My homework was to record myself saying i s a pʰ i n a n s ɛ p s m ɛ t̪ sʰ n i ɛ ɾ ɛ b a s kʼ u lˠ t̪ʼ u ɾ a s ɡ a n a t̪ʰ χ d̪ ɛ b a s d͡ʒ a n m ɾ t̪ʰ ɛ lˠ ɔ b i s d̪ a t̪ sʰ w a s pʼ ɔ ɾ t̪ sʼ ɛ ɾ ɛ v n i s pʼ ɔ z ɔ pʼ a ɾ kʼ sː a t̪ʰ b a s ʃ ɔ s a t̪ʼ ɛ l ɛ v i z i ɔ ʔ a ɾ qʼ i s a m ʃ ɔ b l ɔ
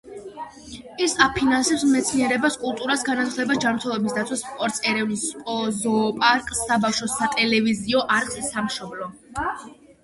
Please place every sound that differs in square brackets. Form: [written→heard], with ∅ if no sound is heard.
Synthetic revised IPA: i s a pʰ i n a n s ɛ p s m ɛ t̪ sʰ n i ɛ ɾ ɛ b a s kʼ u lˠ t̪ʼ u ɾ a s ɡ a n a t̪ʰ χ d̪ ɛ b a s d͡ʒ a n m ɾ t̪ʰ ɛ lˠ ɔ b i s d̪ a t̪ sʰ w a s pʼ ɔ ɾ t̪ sʼ ɛ ɾ ɛ v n i s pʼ ɔ z ɔ pʼ a ɾ kʼ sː a [t̪ʰ→∅] b a [s→f] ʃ ɔ s a t̪ʼ ɛ l ɛ v i z i ɔ ʔ a ɾ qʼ i s a m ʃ ɔ b l ɔ